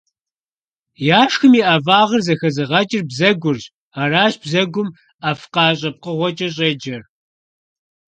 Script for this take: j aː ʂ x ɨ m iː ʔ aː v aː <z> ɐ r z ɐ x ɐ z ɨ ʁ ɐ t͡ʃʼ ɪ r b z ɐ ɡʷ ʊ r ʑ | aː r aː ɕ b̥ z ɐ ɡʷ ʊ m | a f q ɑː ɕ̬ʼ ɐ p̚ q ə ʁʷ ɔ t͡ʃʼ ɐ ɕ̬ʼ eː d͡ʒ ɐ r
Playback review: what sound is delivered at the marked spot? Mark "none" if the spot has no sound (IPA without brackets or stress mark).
ʁ